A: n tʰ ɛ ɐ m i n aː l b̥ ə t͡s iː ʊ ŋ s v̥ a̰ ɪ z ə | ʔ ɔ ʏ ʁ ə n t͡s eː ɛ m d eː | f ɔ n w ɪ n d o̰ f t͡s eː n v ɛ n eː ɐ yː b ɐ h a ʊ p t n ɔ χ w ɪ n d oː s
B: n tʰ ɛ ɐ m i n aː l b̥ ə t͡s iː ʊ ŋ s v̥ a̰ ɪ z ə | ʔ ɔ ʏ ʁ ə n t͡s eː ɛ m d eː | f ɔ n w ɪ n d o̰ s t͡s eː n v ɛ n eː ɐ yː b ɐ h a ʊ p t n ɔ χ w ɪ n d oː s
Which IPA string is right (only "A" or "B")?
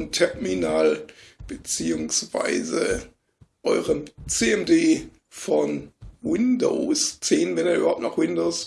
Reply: B